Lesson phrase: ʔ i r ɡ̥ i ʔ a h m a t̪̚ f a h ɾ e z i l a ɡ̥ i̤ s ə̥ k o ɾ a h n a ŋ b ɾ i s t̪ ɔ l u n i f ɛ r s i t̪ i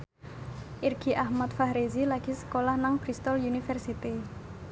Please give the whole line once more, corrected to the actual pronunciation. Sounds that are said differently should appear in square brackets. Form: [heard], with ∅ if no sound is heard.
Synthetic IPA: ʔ i r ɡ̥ i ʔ a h m a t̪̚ f a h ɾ e z i l a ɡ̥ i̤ s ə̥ k o [l] a h n a ŋ b ɾ i s t̪ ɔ l u n i f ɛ r s i t̪ i